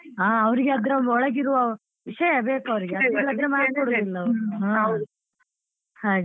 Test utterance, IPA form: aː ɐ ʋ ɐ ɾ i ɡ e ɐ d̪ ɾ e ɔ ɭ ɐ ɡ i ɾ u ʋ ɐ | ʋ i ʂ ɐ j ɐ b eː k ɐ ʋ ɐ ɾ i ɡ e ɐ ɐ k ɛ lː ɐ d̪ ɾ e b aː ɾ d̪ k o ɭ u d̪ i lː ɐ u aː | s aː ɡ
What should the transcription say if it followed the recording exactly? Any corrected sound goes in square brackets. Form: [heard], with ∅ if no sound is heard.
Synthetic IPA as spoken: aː ɐ ʋ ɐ ɾ i ɡ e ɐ d̪ ɾ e ɔ ɭ ɐ ɡ i ɾ u ʋ ɐ | ʋ i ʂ ɐ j ɐ b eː k ɐ ʋ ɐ ɾ i ɡ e ɐ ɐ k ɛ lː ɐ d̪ ɾ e [m] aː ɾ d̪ k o [ɽ] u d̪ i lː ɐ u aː | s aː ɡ